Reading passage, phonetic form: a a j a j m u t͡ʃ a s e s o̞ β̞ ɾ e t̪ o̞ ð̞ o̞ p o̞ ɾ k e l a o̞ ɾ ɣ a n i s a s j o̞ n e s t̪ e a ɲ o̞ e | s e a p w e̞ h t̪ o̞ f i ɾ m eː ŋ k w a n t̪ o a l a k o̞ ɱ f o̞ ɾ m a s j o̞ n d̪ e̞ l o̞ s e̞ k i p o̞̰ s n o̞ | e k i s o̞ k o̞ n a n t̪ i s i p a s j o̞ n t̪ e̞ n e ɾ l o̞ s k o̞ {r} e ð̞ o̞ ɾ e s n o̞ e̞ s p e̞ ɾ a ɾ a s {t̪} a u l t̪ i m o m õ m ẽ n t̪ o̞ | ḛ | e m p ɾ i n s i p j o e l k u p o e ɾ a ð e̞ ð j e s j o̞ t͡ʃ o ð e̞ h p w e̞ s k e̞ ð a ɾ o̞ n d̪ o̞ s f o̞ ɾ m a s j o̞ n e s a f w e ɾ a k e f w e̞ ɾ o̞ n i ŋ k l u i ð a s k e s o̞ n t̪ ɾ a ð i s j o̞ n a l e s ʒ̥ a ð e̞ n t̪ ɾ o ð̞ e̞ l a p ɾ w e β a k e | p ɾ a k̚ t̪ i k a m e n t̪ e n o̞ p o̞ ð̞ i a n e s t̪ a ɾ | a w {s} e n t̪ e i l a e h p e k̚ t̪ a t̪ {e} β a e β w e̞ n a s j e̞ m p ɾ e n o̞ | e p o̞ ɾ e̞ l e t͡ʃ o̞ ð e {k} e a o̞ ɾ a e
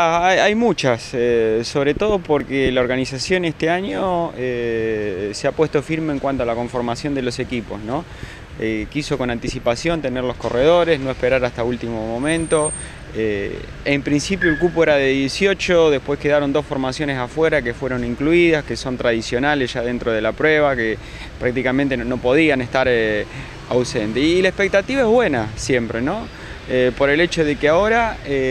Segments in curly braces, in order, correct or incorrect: correct, correct, correct, incorrect: i, correct

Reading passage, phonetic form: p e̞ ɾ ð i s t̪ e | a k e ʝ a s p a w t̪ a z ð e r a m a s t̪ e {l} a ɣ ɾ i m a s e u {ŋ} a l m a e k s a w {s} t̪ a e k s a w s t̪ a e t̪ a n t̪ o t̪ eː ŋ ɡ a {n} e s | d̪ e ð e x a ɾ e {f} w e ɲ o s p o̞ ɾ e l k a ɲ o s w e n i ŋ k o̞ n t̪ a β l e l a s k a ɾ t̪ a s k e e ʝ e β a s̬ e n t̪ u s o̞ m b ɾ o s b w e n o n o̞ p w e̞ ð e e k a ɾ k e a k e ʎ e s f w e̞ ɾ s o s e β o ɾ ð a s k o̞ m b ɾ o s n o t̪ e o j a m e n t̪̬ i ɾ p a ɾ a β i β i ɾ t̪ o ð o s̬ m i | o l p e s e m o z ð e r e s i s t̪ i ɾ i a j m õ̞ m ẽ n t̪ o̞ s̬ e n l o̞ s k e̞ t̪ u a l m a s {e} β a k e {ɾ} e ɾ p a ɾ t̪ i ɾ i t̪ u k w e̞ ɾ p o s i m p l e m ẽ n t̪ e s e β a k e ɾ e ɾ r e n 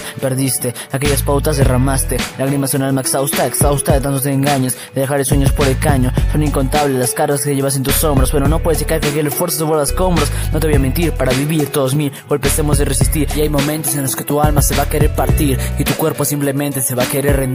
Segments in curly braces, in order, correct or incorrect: correct, incorrect: n, correct, incorrect: ɲ, incorrect: s, correct, correct

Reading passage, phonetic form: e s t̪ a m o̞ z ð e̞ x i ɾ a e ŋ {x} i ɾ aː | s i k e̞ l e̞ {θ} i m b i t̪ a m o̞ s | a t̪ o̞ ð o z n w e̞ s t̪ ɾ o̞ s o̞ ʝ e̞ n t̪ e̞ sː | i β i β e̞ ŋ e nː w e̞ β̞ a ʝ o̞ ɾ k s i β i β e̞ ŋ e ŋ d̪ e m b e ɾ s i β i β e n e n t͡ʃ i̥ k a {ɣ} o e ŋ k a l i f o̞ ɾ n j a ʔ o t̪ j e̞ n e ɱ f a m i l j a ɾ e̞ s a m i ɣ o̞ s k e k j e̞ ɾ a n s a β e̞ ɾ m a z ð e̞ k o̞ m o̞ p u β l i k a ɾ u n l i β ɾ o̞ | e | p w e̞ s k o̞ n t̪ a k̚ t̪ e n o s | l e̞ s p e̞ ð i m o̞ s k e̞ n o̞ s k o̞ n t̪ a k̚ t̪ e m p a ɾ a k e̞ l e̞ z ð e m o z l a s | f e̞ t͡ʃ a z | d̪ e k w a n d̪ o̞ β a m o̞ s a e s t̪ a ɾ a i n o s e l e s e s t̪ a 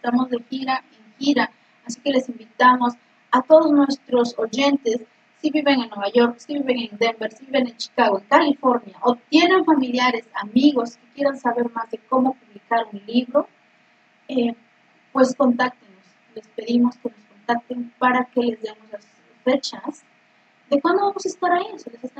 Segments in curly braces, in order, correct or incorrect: correct, incorrect: s, correct

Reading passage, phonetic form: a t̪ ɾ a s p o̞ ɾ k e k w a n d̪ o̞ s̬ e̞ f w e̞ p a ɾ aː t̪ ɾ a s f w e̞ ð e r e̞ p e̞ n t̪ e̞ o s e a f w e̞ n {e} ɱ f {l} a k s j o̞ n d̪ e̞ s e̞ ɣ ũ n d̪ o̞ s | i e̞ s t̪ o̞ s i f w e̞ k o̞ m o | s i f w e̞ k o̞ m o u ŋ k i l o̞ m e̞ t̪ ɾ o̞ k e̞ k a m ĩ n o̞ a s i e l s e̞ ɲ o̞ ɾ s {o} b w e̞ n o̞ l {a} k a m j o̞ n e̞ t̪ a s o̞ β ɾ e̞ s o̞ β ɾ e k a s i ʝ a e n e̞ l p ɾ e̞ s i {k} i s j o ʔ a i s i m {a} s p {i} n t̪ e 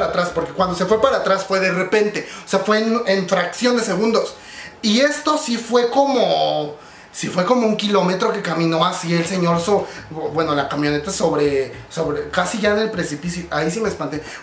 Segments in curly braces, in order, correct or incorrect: correct, incorrect: ɾ, correct, correct, incorrect: p, incorrect: e, incorrect: a

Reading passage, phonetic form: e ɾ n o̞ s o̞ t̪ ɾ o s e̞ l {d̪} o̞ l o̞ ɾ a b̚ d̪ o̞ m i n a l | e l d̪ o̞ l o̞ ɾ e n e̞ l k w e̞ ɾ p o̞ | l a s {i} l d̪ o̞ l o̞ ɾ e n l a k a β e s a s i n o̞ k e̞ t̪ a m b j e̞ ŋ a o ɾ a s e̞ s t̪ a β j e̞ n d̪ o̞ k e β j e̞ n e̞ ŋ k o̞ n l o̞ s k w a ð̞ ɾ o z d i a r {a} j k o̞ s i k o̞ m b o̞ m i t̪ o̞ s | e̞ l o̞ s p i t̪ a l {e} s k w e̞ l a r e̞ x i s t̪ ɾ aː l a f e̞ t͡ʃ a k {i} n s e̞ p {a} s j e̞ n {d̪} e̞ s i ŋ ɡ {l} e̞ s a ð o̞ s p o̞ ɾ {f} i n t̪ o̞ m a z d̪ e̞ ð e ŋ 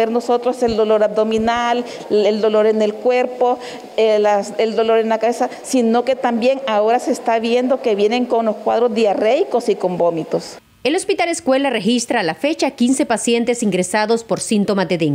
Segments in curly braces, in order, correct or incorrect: correct, incorrect: e, incorrect: e, correct, correct, correct, incorrect: t̪, incorrect: ɾ, incorrect: s

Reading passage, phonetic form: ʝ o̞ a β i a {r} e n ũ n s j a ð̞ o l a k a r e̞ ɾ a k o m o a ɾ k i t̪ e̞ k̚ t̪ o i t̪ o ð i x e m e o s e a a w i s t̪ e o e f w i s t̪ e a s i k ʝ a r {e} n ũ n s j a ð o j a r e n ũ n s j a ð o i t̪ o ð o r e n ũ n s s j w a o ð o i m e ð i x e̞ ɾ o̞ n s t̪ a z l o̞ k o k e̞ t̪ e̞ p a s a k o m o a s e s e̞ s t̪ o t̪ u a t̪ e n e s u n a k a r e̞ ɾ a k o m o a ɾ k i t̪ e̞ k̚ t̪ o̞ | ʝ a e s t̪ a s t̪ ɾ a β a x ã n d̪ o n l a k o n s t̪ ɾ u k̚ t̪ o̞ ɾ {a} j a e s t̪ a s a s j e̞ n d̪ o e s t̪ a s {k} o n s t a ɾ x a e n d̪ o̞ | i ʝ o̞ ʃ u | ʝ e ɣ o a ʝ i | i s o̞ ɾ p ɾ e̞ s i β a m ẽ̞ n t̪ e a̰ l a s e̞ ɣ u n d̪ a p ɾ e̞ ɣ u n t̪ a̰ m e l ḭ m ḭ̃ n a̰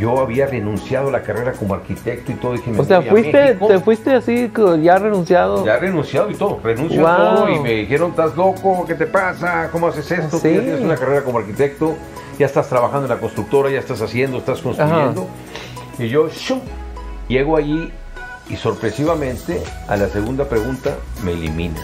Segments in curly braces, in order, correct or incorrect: correct, correct, correct, correct

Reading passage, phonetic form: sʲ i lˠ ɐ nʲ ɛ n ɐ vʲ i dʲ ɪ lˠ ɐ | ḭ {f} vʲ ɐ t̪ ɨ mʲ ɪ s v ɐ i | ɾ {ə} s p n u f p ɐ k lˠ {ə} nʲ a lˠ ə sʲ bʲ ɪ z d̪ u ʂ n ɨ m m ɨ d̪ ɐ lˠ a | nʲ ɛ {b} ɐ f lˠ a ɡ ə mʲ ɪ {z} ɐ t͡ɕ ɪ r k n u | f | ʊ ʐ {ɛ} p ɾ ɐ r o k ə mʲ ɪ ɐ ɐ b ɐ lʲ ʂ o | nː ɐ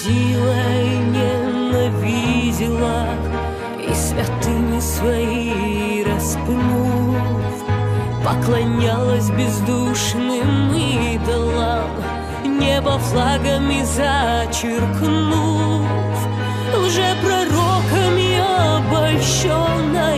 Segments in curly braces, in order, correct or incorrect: incorrect: s, incorrect: ɐ, incorrect: ɐ, correct, correct, correct

